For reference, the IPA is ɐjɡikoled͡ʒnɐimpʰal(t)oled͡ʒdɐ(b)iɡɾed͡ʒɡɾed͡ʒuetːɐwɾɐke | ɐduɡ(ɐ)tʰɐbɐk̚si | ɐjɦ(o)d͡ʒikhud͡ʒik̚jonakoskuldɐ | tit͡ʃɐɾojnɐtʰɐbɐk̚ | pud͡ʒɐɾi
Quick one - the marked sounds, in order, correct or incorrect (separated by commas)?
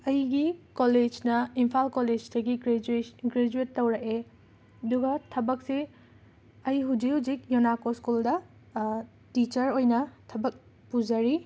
incorrect, incorrect, correct, incorrect